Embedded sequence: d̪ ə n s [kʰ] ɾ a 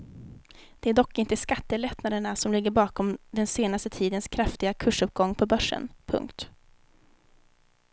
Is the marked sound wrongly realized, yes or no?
no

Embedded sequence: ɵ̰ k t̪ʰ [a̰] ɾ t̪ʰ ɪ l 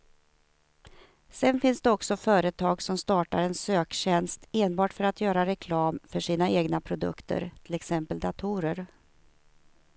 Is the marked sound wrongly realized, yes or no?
yes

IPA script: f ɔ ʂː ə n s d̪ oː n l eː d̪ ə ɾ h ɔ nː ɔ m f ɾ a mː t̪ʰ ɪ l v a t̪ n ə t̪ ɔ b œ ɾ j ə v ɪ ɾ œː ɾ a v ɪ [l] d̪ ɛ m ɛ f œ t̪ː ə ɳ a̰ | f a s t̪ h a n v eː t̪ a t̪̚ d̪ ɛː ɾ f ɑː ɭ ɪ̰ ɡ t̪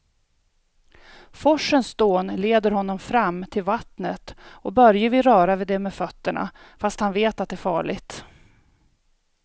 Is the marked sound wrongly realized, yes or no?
yes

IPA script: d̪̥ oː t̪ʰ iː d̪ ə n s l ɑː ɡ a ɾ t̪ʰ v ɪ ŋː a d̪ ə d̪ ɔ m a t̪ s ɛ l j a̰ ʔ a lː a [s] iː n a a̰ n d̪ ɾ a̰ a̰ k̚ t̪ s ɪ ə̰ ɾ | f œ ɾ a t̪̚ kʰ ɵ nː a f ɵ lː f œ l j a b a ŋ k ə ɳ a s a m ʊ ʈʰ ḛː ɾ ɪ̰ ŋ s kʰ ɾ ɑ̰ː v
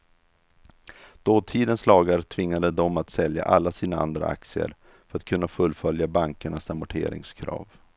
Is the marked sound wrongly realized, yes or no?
no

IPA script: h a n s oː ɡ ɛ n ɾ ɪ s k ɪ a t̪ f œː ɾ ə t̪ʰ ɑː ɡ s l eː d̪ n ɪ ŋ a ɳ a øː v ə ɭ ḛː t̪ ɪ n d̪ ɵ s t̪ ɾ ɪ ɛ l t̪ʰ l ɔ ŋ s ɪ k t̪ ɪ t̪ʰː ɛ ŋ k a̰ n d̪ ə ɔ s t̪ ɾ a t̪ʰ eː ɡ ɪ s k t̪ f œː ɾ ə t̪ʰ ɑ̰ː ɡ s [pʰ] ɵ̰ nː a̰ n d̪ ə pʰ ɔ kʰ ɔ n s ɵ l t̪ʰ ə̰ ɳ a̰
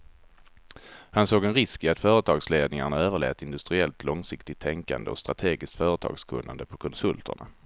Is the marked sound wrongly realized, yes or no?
yes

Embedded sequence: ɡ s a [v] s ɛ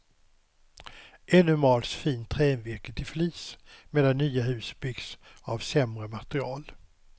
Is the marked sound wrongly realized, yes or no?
no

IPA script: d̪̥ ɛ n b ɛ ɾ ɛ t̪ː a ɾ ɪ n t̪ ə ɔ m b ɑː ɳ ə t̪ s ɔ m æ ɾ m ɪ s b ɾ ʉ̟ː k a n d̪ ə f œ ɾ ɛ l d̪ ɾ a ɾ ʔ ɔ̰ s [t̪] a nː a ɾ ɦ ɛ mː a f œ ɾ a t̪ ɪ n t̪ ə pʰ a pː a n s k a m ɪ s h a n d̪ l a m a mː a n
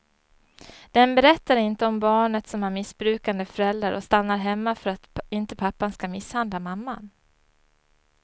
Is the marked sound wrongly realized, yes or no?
no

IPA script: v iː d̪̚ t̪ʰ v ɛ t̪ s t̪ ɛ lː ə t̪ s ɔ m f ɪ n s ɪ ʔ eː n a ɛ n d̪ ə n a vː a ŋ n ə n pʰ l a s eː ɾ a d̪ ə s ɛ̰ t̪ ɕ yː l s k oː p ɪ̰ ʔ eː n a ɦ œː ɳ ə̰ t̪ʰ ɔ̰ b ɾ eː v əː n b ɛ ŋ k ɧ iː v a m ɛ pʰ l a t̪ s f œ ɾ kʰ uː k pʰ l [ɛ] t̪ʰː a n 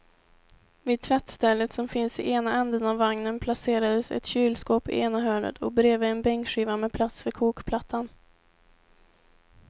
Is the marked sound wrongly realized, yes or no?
yes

